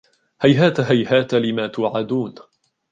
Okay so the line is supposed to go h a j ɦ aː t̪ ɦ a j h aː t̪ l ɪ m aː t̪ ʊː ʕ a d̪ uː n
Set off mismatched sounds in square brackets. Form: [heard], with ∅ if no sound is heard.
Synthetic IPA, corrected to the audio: h a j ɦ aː t̪ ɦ a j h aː t̪ l ɪ m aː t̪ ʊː ʕ a d̪ uː n